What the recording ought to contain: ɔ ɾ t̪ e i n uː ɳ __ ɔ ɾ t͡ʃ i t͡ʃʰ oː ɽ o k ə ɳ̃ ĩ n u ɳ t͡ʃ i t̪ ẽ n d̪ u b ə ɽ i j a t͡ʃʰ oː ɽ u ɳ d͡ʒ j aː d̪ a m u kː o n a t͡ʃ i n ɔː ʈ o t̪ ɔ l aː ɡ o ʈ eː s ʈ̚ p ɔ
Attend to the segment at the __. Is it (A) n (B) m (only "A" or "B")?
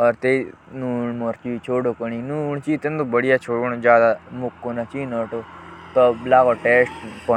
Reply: B